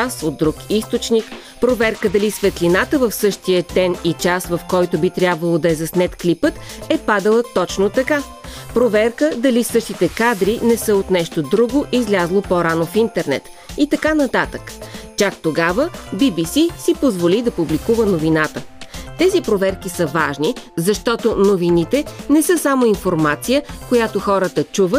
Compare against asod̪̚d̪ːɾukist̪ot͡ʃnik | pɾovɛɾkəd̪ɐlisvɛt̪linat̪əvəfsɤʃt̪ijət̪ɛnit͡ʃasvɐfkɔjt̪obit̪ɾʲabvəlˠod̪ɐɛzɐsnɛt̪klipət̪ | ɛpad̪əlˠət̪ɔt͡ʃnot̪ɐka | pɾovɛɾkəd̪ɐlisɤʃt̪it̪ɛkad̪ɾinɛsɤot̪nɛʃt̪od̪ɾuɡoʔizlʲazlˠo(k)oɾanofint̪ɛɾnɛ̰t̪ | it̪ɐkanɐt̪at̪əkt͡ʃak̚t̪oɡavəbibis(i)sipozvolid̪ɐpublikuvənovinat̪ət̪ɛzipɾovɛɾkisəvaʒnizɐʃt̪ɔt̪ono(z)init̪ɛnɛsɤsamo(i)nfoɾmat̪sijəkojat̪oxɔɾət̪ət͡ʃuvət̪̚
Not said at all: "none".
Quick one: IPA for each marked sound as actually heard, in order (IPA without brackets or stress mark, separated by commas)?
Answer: p, i, v, i